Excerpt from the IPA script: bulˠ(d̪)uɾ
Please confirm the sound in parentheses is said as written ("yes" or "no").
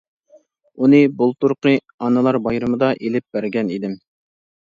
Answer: no